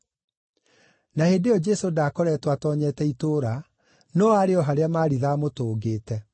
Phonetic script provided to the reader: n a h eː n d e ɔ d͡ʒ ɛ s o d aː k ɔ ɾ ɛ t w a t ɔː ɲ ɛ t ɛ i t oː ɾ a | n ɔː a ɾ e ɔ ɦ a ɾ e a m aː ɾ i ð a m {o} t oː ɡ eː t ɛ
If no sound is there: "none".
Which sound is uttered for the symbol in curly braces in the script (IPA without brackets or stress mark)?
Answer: o